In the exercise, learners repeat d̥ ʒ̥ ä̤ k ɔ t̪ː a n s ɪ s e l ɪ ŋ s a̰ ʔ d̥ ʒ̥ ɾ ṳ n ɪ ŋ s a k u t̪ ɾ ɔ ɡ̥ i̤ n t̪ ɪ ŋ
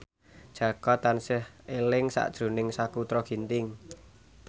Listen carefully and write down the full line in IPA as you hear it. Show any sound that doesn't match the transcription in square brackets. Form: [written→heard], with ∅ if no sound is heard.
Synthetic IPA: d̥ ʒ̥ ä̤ k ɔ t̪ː a n s ɪ [s→h] e l ɪ ŋ s a̰ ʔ d̥ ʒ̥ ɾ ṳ n ɪ ŋ s a k u t̪ ɾ ɔ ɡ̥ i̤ n t̪ ɪ ŋ